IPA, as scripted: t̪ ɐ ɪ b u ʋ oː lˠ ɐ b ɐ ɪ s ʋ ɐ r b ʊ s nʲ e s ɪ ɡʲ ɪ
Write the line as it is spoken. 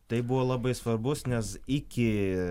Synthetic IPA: t̪ ɐ ɪ b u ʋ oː lˠ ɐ b ɐ ɪ s ʋ ɐ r b ʊ s nʲ ɛ s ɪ kʲ ɪ